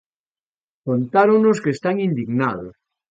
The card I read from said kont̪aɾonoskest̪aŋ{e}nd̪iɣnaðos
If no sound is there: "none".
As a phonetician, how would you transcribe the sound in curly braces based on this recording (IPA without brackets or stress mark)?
i